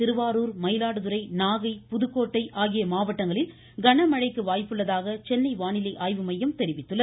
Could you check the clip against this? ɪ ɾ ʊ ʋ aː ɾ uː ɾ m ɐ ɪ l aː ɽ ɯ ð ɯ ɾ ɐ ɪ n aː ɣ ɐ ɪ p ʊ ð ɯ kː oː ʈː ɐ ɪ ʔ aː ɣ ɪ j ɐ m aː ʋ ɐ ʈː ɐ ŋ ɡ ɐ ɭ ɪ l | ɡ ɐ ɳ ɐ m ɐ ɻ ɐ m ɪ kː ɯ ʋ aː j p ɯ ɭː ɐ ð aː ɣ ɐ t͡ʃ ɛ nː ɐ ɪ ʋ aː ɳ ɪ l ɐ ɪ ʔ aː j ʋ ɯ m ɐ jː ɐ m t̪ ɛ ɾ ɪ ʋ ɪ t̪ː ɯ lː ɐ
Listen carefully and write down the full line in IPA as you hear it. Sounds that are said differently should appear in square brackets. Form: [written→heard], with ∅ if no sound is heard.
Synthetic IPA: ɪ ɾ [ʊ→ɯ] ʋ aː ɾ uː ɾ m ɐ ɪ l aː ɽ ɯ ð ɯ ɾ ɐ ɪ n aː ɣ ɐ ɪ p ʊ ð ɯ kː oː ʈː ɐ ɪ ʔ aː ɣ ɪ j ɐ m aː ʋ ɐ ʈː ɐ ŋ ɡ ɐ ɭ ɪ l | ɡ ɐ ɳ ɐ m ɐ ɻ ɐ [m→∅] ɪ kː ɯ ʋ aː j p ɯ ɭː ɐ ð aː ɣ ɐ t͡ʃ ɛ nː ɐ ɪ ʋ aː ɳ ɪ l ɐ ɪ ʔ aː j ʋ ɯ m ɐ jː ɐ m t̪ ɛ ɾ ɪ ʋ ɪ t̪ː ɯ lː ɐ